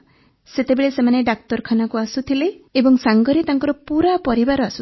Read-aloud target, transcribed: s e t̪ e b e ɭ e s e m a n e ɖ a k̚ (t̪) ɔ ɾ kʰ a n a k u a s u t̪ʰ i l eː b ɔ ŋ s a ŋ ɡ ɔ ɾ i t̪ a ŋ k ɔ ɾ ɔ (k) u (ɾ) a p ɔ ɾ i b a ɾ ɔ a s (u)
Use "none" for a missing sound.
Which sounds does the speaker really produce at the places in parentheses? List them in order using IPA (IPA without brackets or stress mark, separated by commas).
t̪, p, ɾ, u